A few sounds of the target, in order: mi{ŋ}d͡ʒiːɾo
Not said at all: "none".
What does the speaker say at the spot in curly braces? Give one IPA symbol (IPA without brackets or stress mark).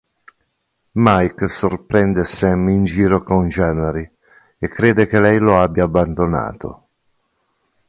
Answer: n